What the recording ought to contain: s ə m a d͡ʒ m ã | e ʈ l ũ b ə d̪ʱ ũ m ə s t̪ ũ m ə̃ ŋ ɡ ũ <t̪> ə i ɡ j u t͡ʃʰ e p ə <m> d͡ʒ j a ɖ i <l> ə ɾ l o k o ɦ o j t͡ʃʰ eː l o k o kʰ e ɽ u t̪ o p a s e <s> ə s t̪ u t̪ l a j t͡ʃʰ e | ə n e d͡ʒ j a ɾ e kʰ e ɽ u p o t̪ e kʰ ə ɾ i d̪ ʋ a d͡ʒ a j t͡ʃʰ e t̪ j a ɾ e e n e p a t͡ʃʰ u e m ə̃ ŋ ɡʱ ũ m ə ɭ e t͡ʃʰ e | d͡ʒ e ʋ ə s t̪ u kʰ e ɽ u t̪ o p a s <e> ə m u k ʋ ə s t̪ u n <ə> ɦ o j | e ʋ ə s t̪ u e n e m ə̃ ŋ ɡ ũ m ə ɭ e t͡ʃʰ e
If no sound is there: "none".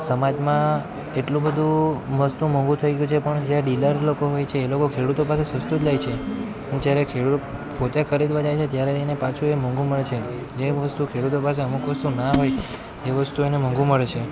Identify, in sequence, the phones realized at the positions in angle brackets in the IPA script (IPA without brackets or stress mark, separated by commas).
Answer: t̪ʰ, ɳ, l, s, e, a